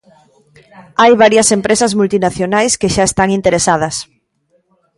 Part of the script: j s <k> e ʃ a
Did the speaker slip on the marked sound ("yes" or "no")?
no